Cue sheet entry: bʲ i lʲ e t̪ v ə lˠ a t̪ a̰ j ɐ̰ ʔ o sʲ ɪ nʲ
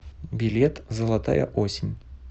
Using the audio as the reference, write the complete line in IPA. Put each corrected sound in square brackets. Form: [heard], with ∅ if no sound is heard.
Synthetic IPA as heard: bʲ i lʲ e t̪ [z] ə lˠ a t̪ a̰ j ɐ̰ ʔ o sʲ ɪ nʲ